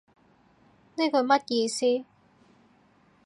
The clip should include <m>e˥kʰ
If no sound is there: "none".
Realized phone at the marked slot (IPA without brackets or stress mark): n